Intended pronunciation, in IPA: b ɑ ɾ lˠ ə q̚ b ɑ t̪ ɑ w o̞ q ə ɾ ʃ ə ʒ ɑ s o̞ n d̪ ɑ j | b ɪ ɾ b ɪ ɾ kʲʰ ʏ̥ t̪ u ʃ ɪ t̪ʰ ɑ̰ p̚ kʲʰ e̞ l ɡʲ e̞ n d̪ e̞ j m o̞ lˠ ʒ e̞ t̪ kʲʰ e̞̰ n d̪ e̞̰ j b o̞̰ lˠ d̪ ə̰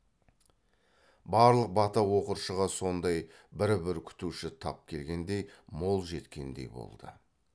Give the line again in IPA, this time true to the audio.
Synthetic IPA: b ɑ ɾ lˠ ə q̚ b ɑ t̪ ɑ w o̞ q ə ɾ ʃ ə ʁ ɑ s o̞ n d̪ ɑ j | b ɪ ɾ b ɪ ɾ kʲʰ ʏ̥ t̪ u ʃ ɪ t̪ʰ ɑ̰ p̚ kʲʰ e̞ l ɡʲ e̞ n d̪ e̞ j m o̞ lˠ ʒ e̞ t̪ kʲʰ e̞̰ n d̪ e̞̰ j b o̞̰ lˠ d̪ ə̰

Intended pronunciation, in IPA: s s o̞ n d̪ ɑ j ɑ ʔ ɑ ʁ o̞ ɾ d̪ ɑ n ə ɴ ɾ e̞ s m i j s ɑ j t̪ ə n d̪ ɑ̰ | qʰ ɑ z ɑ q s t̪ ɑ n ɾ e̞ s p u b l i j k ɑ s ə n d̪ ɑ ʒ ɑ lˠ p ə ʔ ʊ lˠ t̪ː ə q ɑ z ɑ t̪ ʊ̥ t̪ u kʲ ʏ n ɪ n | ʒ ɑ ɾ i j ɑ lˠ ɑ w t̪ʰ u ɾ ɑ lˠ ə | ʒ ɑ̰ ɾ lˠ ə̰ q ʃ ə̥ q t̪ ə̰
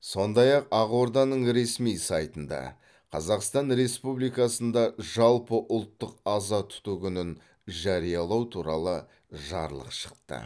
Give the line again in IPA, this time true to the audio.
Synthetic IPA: s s o̞ n d̪ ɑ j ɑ q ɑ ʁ o̞ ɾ d̪ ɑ n ə ɴ ɾ e̞ s m i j s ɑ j t̪ ə n d̪ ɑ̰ | qʰ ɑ z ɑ q s t̪ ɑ n ɾ e̞ s p u b l i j k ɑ s ə n d̪ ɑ ʒ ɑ lˠ p ə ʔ ʊ lˠ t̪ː ə q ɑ z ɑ t̪ʰ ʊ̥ t̪ u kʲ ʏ n ɪ n | ʒ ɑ ɾ i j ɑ lˠ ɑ w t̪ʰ u ɾ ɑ lˠ ə | ʒ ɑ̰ ɾ lˠ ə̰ q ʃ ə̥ q t̪ ə̰

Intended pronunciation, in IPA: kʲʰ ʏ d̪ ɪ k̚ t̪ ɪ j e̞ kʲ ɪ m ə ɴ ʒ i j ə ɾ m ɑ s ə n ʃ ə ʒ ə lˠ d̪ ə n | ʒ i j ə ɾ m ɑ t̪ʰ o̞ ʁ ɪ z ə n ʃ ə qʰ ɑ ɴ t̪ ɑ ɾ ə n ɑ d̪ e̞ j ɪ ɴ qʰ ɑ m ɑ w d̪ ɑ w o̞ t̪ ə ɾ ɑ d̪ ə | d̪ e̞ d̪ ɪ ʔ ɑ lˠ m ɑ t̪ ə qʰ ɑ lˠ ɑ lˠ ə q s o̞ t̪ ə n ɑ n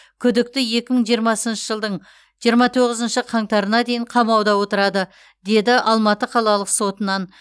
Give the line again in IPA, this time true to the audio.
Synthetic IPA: kʲʰ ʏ d̪ ɪ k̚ t̪ ɪ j e̞ kʲ ɪ m ə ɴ ʒ i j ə ɾ m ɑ s ə n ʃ ə ʒ ə lˠ d̪ ə ɴ | ʒ i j ə ɾ m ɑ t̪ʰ o̞ ʁ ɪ z ə n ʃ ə qʰ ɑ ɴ t̪ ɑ ɾ ə n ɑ d̪ e̞ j ɪ ɴ qʰ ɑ m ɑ w d̪ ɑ w o̞ t̪ ə ɾ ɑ d̪ ə | d̪ e̞ d̪ ɪ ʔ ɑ lˠ m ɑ t̪ ə qʰ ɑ lˠ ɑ lˠ ə q s o̞ t̪ ə n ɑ n

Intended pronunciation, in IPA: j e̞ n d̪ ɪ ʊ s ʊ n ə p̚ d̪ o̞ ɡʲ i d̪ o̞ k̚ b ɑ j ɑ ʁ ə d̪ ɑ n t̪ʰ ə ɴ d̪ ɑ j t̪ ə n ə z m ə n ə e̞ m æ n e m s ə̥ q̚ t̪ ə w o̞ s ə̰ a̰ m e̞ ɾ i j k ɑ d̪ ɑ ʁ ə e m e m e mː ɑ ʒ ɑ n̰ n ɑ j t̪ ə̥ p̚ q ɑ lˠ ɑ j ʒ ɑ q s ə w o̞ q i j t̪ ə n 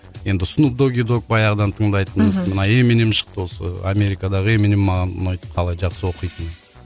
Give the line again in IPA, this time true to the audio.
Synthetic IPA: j e̞ n d̪ ɪ ʊ s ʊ n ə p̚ d̪ o̞ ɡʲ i d̪ o̞ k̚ b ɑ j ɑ ʁ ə d̪ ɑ n t̪ʰ ə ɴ d̪ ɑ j t̪ ə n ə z m ə n ɑ e̞ m e n e m ʃ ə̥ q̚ t̪ ə w o̞ s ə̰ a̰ m e̞ ɾ i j k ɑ d̪ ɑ ʁ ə e m e n e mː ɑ ʁ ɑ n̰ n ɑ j t̪ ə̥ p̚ qʰ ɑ lˠ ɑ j ʒ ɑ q s ə w o̞ q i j t̪ ə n

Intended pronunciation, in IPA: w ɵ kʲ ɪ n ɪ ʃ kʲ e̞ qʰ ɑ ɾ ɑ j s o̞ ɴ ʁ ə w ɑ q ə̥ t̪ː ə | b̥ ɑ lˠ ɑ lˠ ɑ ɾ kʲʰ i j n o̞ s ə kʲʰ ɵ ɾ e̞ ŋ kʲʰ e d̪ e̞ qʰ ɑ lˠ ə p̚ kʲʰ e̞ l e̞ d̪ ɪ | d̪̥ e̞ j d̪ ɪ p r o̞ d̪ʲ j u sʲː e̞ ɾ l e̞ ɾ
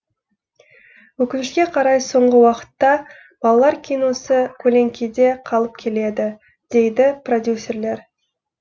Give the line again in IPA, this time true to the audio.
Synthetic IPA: w ɵ kʲ ɪ n ɪ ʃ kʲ e̞ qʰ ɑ ɾ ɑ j s o̞ ɴ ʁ ə w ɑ q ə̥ t̪ː ɑ | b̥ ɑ lˠ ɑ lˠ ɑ ɾ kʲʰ i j n o̞ s ə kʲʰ ɵ l e̞ ŋ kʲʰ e d̪ e̞ qʰ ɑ lˠ ə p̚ kʲʰ e̞ l e̞ d̪ ɪ | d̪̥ e̞ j d̪ ɪ p r o̞ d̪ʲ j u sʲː e̞ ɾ l e̞ ɾ

